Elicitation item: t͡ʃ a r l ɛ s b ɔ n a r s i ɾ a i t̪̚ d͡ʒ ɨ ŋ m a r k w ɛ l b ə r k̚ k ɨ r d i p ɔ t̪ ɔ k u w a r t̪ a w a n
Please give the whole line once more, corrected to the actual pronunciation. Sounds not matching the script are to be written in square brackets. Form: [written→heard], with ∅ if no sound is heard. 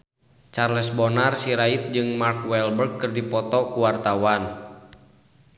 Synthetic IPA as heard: t͡ʃ a r l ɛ s b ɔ n a r s i ɾ a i t̪̚ d͡ʒ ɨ ŋ m a r k w ɛ l b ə r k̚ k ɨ r d i p ɔ t̪ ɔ k u w a r t̪ a w a n